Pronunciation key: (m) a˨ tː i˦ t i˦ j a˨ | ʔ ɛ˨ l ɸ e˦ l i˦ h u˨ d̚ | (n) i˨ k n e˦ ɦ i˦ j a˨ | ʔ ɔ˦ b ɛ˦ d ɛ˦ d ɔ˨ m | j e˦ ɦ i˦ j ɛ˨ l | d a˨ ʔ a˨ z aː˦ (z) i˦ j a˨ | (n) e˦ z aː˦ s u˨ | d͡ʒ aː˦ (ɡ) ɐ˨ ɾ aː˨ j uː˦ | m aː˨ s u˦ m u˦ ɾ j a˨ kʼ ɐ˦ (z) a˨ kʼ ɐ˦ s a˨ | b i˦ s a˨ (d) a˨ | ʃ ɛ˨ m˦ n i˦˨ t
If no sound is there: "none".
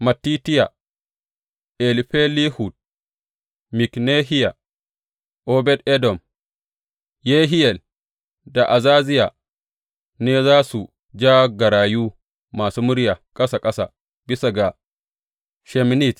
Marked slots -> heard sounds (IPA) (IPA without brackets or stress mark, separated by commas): m, m, z, n, ɡ, s, ɡ